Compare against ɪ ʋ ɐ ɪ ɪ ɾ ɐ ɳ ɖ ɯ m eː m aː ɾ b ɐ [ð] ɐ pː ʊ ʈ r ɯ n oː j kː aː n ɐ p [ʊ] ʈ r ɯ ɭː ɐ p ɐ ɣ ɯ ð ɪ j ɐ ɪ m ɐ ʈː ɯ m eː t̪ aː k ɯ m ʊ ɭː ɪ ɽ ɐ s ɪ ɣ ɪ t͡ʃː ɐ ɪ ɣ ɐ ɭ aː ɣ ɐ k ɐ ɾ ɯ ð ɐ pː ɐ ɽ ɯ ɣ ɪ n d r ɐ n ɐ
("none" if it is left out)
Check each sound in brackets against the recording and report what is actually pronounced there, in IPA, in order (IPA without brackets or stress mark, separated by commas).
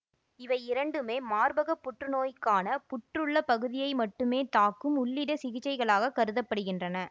ɣ, ʊ